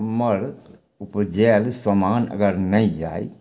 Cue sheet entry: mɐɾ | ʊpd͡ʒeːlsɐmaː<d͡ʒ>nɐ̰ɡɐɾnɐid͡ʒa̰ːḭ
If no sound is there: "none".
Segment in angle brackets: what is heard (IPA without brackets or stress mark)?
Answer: none